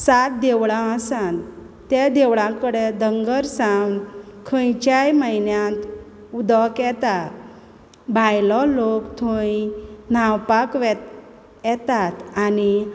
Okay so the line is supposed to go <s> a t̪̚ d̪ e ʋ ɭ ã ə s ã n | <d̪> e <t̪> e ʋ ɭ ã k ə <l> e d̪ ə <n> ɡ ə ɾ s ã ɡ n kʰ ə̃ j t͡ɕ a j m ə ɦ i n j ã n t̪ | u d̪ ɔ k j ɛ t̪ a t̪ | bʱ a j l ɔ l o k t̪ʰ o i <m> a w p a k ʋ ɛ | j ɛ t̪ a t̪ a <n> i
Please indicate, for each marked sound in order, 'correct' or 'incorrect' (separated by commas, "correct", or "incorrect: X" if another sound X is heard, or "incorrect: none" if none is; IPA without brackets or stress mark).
correct, incorrect: t̪, incorrect: d̪, incorrect: ɽ, incorrect: ŋ, incorrect: n, correct